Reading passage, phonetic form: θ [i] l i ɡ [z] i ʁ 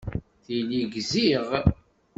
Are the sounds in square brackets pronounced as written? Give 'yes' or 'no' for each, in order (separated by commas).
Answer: yes, yes